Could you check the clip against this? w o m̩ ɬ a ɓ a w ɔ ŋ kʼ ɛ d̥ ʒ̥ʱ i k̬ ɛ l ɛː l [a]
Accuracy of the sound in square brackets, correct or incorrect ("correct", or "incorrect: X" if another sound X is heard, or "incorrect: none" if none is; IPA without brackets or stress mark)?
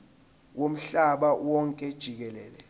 incorrect: ɛ